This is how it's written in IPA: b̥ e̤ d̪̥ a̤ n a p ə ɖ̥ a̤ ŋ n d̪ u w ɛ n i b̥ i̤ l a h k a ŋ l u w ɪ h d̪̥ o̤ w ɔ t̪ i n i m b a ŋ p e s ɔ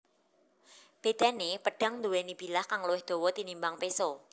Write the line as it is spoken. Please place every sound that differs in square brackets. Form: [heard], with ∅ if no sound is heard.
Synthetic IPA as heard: b̥ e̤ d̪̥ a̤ n [e] p ə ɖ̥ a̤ ŋ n d̪ u w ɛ n i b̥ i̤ l a h k a ŋ l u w ɪ h d̪̥ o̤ w ɔ t̪ i n i m b a ŋ p e s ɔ